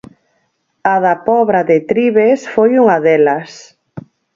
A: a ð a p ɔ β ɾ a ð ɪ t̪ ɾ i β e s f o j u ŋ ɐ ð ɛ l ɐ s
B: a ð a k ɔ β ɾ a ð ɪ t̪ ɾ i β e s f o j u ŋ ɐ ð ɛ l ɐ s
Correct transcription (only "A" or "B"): A